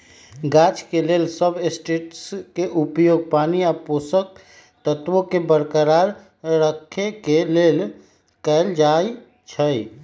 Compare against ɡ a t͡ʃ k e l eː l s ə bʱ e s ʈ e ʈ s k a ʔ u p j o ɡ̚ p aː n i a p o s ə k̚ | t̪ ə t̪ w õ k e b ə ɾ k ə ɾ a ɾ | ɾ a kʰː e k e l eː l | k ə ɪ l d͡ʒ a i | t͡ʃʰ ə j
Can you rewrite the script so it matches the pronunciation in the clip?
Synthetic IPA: ɡ a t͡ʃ k e l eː l s ə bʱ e s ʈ e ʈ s k e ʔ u p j o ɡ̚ p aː n i a p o s ə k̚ | t̪ ə t̪ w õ k e b ə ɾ k ə ɾ a ɾ | ɾ ə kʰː e k e l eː l | k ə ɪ l d͡ʒ a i | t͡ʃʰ ə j